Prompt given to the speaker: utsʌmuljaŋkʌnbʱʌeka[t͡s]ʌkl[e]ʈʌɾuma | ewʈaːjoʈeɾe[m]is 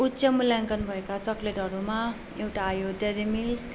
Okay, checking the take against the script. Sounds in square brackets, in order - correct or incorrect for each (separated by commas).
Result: correct, correct, correct